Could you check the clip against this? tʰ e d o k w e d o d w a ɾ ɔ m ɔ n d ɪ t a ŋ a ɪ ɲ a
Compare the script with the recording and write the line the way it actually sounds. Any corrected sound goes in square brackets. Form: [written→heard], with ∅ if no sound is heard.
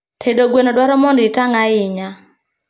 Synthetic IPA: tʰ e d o [k→ɡ] w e [d→n] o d w a ɾ ɔ m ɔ n d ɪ t a ŋ a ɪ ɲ a